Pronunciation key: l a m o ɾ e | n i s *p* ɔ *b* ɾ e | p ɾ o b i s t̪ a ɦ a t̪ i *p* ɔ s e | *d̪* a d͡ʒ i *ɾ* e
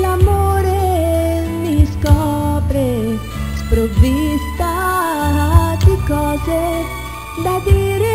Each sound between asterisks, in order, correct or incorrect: incorrect: k, incorrect: p, incorrect: k, correct, correct

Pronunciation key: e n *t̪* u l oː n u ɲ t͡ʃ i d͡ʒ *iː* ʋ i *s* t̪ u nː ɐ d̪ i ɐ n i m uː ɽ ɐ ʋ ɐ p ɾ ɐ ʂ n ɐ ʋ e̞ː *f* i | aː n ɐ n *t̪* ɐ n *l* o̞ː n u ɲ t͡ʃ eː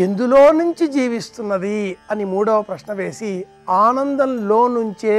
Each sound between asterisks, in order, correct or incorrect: incorrect: d̪, correct, correct, incorrect: s, incorrect: d̪, correct

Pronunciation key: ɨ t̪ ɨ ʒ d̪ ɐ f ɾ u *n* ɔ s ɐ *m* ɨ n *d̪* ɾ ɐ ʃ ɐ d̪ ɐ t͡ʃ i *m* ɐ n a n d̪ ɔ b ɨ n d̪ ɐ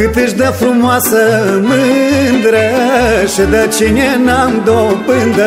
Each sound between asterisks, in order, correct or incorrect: incorrect: m, correct, correct, incorrect: ɲ

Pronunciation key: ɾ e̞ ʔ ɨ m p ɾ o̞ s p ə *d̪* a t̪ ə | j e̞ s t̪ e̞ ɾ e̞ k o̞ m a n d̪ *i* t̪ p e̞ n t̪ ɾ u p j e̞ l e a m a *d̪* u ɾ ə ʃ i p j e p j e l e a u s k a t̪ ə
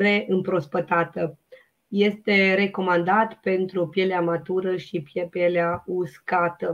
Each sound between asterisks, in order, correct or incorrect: incorrect: t̪, incorrect: a, incorrect: t̪

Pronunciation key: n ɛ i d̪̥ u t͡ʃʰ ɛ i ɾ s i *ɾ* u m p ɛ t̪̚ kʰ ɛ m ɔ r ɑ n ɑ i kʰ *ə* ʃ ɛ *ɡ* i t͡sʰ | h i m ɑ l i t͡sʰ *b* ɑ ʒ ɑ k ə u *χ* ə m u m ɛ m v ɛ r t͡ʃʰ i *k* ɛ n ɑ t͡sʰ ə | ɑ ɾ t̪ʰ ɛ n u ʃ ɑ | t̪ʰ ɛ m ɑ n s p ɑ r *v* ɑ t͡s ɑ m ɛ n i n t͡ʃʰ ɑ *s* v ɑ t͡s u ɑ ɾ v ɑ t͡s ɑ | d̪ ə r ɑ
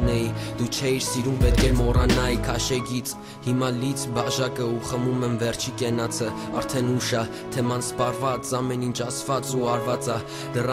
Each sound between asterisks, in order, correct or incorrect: correct, incorrect: ɑ, correct, correct, correct, correct, correct, correct

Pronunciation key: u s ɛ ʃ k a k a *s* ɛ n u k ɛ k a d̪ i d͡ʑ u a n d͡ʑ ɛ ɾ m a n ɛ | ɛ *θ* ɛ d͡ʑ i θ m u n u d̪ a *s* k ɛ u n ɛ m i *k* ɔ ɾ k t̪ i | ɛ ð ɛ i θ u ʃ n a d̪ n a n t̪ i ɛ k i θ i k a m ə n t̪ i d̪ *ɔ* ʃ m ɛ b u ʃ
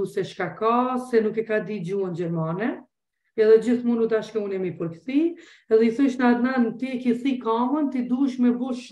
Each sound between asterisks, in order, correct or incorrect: correct, incorrect: ð, incorrect: ʃ, incorrect: p, incorrect: u

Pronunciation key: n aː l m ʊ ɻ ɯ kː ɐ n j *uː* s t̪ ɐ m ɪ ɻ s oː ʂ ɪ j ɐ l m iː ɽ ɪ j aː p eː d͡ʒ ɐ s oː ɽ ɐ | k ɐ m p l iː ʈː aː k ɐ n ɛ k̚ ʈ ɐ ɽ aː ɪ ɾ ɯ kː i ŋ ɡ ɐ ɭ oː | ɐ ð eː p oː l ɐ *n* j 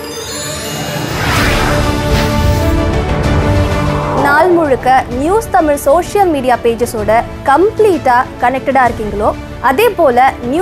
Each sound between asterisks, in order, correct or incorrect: correct, correct

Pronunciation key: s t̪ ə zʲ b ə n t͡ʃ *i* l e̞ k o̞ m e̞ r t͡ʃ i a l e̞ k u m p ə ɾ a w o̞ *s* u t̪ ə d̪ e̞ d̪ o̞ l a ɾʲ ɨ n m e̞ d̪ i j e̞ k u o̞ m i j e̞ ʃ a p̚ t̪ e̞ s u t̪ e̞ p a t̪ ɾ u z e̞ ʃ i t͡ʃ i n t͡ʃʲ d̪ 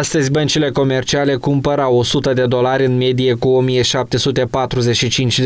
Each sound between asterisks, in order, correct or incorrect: correct, correct

